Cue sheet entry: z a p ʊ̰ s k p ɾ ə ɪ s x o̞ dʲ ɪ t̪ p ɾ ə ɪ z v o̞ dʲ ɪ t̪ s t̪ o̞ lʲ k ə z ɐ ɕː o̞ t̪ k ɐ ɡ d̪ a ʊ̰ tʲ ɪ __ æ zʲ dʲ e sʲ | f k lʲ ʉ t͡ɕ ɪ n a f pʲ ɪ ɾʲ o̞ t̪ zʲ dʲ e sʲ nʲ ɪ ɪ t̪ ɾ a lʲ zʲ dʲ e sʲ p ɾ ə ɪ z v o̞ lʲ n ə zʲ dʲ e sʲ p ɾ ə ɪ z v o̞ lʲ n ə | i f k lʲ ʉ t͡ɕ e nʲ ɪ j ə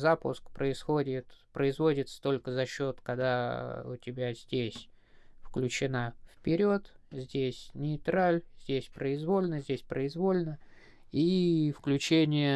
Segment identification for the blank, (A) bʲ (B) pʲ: A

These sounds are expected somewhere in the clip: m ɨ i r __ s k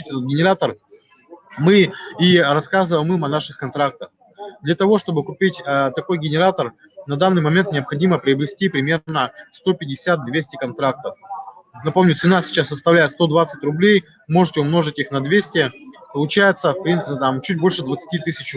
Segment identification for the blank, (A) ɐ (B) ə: A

